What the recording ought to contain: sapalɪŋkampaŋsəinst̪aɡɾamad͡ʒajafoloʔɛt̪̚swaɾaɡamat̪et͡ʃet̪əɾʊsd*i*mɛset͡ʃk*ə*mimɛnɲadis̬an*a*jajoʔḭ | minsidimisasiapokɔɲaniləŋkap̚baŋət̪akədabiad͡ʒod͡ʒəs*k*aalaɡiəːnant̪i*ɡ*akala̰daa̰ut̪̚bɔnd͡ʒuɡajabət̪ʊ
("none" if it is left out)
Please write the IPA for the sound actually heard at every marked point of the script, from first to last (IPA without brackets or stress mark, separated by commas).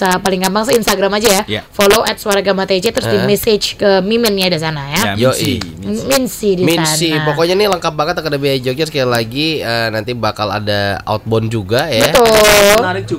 i, ə, a, k, b